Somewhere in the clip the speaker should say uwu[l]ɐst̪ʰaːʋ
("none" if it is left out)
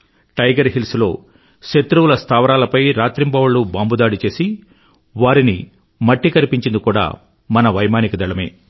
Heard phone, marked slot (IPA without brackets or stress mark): l